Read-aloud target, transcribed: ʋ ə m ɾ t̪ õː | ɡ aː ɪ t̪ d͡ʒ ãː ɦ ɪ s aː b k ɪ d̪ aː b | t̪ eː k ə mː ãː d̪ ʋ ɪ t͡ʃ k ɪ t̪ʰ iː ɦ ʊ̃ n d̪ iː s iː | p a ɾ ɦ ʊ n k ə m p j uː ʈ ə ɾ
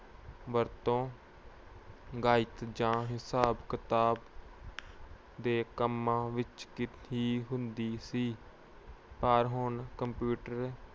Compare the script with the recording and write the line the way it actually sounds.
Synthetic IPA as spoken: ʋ ə ɾ t̪ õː | ɡ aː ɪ t̪ d͡ʒ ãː ɦ ɪ s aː b k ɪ t̪ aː b | d̪ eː k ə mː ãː ʋ ɪ t͡ʃ k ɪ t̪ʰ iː ɦ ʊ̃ n d̪ iː s iː | p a ɾ ɦ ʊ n k ə m p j uː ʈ ə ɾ

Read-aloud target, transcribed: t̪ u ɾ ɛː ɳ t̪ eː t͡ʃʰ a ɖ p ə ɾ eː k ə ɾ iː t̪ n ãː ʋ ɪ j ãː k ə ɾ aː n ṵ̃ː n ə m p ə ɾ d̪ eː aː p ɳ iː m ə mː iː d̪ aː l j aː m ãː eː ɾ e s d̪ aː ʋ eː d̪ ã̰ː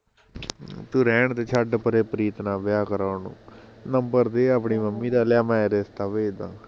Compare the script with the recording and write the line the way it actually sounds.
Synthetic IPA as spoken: t̪ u ɾ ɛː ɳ t̪ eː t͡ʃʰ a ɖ p ə ɾ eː p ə ɾ iː t̪ n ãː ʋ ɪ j aː k ə ɾ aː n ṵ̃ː n ə m b ə ɾ d̪ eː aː p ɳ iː m ə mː iː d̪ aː l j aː m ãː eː ɾ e s t̪ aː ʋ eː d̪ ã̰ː

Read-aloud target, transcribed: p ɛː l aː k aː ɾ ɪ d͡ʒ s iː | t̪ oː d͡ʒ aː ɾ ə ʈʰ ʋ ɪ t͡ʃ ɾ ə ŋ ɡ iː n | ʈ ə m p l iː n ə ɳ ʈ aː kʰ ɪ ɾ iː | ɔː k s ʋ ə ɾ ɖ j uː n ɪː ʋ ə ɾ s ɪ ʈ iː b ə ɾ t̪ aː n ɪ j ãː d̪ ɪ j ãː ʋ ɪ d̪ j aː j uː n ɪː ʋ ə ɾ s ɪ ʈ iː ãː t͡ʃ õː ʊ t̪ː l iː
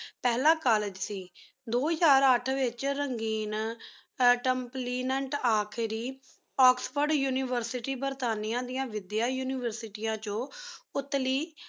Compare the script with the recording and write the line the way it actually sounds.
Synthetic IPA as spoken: p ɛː l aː k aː l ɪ d͡ʒ s iː | d̪ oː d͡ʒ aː ɾ ə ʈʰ ʋ ɪ t͡ʃ ɾ ə ŋ ɡ iː n | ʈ ə m p l iː n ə ɳ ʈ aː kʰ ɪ ɾ iː | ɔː k s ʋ ə ɾ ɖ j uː n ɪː ʋ ə ɾ s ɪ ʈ iː b ə ɾ t̪ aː n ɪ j ãː d̪ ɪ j ãː ʋ ɪ d̪ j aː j uː n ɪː ʋ ə ɾ s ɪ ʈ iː ãː t͡ʃ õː ʊ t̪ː l iː

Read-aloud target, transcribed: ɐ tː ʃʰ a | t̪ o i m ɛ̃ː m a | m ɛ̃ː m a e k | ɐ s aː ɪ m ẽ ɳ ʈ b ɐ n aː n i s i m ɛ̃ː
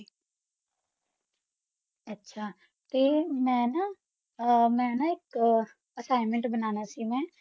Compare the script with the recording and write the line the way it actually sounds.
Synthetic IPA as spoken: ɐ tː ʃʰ a | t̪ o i m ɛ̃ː n a | m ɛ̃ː n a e k | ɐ s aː ɪ m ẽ ɳ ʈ b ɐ n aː n a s i m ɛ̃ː

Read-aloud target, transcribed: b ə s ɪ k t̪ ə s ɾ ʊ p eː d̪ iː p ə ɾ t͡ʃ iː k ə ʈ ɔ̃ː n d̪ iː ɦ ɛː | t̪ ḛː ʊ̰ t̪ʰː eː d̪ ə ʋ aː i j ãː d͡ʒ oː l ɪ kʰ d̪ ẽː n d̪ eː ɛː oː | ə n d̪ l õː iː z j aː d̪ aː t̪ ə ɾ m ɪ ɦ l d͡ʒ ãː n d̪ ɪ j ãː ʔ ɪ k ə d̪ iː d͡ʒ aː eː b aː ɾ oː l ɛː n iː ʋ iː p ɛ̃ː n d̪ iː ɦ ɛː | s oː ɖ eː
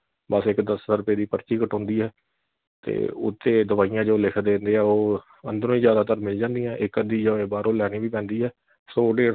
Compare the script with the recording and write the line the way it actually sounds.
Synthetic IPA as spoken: b ə s ɪ k d̪ ə s ɾ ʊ p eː d̪ iː p ə ɾ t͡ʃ iː k ə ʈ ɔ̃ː n d̪ iː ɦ ɛː | t̪ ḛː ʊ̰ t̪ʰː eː d̪ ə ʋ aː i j ãː d͡ʒ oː l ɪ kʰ d̪ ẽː n d̪ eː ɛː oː | ə n d̪ ɾ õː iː z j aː d̪ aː t̪ ə ɾ m ɪ l d͡ʒ ãː n d̪ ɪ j ãː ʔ ɪ k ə d̪ iː d͡ʒ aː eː b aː ɾ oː l ɛː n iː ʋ iː p ɛ̃ː n d̪ iː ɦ ɛː | s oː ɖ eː

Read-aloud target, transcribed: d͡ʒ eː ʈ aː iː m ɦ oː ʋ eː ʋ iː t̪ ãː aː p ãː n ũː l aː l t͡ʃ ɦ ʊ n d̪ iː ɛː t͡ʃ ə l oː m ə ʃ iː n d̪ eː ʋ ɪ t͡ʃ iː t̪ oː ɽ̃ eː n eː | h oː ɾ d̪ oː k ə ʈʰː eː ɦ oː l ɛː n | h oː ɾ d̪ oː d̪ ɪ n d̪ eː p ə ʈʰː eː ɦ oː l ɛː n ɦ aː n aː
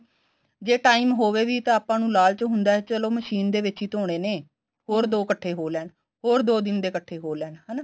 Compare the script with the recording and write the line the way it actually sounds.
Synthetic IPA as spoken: d͡ʒ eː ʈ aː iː m ɦ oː ʋ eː ʋ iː t̪ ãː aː p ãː n ũː l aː l t͡ʃ ɦ ʊ n d̪ aː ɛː t͡ʃ ə l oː m ə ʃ iː n d̪ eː ʋ ɪ t͡ʃ iː t̪ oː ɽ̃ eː n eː | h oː ɾ d̪ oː k ə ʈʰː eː ɦ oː l ɛː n | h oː ɾ d̪ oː d̪ ɪ n d̪ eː k ə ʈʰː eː ɦ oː l ɛː n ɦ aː n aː

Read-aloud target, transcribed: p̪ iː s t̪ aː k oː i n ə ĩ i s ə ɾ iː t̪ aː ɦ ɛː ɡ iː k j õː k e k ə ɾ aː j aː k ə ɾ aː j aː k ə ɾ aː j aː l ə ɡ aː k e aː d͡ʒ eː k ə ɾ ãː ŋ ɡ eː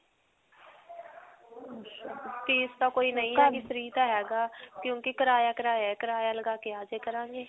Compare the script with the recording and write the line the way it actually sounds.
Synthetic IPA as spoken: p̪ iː s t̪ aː k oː i n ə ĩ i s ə ɾ iː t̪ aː ɦ ɛː ɡ aː k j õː k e k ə ɾ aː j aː k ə ɾ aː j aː k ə ɾ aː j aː l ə ɡ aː k e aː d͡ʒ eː k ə ɾ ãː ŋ ɡ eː

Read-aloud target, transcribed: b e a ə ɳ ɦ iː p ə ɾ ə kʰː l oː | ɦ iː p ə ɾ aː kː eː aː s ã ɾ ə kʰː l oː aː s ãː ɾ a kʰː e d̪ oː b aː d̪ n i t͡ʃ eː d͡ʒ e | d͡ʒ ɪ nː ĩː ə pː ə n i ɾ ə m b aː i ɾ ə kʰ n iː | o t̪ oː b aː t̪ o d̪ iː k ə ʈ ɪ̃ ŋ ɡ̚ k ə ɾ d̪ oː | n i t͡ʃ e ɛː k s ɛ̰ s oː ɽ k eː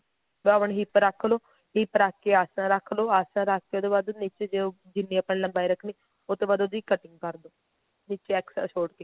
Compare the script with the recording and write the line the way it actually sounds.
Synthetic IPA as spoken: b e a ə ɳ ɦ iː p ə ɾ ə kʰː l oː | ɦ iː p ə ɾ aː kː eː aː s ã ɾ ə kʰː l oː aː s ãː ɾ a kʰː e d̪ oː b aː d̪ n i t͡ʃ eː d͡ʒ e | d͡ʒ ɪ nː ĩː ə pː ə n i l ə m b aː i ɾ ə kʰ n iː | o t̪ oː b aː d̪ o d̪ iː k ə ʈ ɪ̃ ŋ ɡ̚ k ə ɾ d̪ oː | n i t͡ʃ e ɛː k s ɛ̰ s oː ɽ k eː

